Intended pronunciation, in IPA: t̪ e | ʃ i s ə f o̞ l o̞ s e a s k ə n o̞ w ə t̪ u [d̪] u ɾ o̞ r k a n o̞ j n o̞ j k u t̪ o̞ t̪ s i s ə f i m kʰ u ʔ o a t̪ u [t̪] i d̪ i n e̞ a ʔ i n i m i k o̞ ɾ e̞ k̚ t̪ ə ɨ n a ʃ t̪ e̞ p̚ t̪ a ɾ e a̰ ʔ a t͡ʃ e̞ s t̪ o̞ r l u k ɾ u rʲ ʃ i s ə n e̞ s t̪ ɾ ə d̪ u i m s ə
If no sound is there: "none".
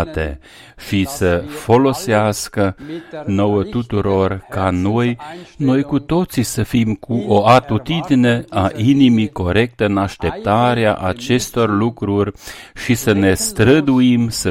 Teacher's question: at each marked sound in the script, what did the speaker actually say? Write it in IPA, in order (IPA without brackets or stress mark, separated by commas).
t̪, t̪